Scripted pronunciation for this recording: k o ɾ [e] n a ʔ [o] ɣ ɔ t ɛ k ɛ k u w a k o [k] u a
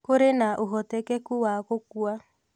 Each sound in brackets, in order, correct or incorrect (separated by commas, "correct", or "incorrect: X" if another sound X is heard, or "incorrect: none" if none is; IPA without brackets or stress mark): correct, correct, correct